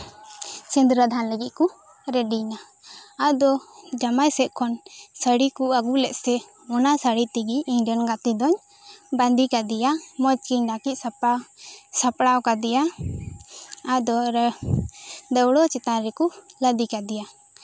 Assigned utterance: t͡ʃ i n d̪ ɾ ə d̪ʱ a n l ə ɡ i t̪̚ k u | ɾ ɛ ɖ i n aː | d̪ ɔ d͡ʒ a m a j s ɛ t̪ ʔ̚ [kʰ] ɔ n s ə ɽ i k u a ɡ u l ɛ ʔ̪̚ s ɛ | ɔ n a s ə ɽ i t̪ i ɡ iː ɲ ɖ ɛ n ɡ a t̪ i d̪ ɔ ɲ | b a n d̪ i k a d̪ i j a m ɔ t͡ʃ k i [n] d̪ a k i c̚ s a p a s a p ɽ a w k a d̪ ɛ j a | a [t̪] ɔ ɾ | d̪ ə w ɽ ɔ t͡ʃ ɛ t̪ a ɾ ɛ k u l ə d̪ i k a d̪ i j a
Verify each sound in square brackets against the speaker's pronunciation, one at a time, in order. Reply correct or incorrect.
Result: correct, incorrect, incorrect

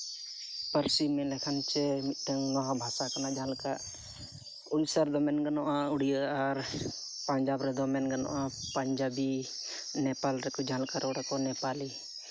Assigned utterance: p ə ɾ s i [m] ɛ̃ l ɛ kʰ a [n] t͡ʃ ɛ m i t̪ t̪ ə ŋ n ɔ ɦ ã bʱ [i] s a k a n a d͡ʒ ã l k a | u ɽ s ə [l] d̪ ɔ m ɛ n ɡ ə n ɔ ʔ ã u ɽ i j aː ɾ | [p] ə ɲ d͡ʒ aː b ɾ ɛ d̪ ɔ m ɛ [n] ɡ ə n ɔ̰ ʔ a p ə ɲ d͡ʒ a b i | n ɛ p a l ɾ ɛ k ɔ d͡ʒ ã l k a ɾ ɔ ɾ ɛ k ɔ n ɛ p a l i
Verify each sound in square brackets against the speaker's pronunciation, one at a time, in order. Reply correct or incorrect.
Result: correct, correct, incorrect, incorrect, correct, correct

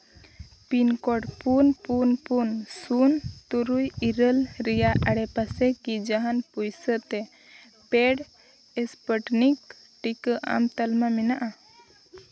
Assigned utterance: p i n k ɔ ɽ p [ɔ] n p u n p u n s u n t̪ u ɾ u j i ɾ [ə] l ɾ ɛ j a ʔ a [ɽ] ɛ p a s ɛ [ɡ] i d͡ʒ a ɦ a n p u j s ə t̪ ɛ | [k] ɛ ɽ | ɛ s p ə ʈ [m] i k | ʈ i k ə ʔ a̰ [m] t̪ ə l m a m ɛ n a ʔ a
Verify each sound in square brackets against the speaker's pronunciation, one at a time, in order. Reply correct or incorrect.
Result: incorrect, correct, correct, incorrect, incorrect, incorrect, correct

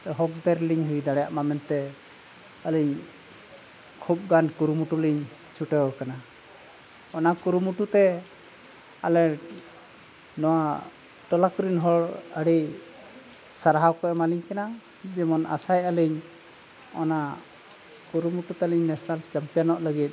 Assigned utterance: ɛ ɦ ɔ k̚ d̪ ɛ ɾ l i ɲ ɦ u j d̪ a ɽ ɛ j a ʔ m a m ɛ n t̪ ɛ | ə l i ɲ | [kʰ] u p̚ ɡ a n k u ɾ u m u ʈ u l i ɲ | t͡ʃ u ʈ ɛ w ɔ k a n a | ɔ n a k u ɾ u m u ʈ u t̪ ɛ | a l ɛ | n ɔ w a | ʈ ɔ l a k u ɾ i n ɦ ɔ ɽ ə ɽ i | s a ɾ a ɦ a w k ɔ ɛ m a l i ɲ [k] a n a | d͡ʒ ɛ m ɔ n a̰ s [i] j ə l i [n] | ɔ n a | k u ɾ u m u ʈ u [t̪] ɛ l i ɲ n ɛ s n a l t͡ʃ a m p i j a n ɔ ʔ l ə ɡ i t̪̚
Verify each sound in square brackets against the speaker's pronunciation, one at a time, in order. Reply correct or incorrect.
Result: correct, correct, incorrect, incorrect, correct

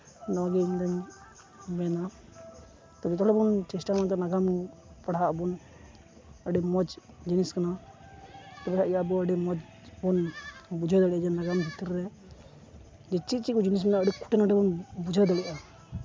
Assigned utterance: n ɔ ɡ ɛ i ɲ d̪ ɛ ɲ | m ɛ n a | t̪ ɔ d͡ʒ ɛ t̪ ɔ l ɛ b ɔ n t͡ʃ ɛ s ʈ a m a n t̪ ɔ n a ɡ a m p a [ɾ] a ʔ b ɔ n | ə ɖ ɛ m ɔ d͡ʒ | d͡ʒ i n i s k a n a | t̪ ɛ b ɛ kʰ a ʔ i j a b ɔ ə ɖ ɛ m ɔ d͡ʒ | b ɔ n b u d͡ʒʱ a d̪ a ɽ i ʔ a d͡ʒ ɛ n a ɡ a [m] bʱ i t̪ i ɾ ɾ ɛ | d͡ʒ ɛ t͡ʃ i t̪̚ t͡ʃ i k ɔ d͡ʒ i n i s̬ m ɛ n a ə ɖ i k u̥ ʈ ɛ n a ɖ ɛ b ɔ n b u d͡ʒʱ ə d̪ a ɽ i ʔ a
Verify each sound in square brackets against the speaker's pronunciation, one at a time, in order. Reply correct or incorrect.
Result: incorrect, correct

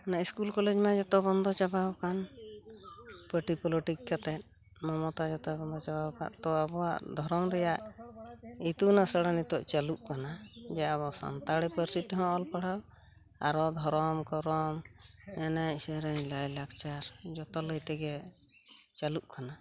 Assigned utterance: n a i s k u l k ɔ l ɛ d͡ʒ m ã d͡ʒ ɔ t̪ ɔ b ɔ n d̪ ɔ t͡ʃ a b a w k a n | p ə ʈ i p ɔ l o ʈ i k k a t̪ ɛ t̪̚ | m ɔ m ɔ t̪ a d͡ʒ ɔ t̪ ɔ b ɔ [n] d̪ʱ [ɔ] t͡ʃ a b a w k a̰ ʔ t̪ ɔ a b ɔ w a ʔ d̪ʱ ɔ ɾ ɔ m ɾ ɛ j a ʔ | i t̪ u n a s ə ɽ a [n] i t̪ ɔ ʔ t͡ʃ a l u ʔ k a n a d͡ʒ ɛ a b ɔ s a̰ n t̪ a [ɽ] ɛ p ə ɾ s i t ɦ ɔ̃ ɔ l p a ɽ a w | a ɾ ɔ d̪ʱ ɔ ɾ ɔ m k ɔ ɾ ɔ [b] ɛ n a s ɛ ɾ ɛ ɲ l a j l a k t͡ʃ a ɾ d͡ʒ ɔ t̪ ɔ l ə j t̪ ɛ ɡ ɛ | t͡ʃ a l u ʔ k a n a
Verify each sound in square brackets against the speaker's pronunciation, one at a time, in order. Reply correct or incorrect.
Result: correct, correct, correct, correct, incorrect

